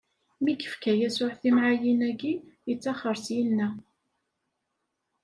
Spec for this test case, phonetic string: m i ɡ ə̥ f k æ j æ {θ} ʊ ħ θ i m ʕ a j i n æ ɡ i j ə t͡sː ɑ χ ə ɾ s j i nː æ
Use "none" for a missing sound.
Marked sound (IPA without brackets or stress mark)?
s